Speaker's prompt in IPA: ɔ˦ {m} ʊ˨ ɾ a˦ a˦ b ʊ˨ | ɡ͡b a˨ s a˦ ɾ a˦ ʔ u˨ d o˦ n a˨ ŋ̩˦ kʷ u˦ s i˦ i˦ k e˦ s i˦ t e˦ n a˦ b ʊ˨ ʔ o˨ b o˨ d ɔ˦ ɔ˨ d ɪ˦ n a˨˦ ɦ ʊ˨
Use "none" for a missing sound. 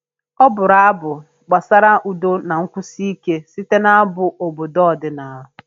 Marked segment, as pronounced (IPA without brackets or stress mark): b